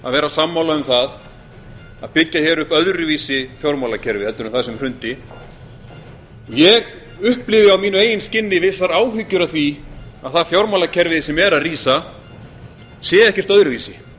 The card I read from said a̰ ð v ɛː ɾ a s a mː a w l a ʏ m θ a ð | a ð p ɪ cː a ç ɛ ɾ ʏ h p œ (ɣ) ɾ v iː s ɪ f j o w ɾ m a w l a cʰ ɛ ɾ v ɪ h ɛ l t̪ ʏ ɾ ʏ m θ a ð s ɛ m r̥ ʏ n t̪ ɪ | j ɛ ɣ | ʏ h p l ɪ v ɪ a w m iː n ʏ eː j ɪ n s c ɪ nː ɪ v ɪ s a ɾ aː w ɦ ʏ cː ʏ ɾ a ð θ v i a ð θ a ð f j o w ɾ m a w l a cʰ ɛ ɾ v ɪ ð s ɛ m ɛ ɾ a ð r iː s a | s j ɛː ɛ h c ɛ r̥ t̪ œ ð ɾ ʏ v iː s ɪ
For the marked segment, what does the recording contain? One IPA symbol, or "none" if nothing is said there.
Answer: ð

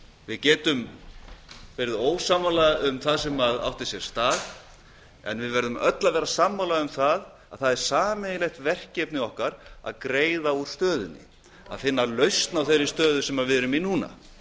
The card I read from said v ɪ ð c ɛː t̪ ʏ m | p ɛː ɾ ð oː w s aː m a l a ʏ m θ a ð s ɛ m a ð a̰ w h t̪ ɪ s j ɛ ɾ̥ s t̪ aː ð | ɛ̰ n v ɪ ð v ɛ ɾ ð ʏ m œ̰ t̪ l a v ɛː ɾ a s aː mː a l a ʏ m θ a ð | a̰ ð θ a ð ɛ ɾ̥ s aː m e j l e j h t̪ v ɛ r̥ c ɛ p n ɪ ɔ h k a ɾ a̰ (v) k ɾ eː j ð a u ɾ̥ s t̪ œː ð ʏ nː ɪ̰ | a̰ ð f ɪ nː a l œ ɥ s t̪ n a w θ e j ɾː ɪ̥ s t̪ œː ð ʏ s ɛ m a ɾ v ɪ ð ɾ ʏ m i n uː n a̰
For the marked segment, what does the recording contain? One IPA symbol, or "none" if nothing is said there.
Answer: ð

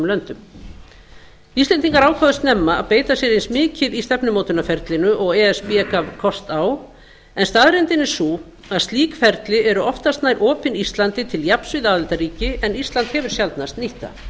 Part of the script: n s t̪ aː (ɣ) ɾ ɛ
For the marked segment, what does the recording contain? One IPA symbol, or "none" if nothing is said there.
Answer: ð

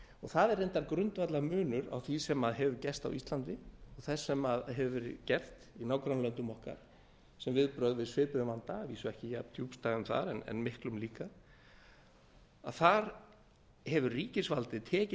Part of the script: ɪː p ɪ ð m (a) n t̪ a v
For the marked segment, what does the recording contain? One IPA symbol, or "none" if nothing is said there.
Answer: a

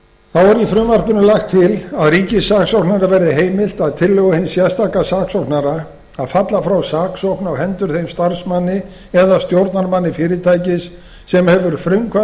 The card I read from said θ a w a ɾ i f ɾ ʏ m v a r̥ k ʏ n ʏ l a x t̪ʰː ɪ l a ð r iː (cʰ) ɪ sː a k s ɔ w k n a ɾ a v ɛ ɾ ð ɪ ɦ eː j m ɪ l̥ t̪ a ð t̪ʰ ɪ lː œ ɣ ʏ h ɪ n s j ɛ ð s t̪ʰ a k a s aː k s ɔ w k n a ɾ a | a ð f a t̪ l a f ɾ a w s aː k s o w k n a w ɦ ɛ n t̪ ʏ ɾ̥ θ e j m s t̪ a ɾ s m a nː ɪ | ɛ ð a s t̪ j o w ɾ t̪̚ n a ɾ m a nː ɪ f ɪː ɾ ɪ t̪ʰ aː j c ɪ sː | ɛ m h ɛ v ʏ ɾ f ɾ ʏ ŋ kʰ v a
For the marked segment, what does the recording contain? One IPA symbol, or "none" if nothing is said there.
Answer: c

